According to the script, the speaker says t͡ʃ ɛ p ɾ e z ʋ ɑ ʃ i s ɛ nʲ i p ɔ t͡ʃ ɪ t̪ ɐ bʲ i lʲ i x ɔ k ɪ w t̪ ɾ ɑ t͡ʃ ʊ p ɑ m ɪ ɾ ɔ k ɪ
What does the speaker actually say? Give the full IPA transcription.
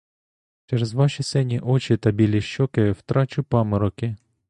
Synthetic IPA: t͡ʃ ɛ ɾ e z ʋ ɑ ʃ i s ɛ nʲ i ʔ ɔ t͡ʃ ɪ t̪ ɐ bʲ i lʲ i ʃ ɔ k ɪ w t̪ ɾ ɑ t͡ʃ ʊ p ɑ m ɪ ɾ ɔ k ɪ